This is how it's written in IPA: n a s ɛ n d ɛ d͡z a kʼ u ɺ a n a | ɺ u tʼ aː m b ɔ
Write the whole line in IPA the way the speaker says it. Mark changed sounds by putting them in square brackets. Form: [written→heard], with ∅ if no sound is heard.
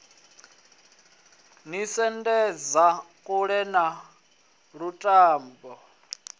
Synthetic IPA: n [a→i] s ɛ n d ɛ d͡z a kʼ u ɺ [a→ɛ] n a | ɺ u tʼ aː m b ɔ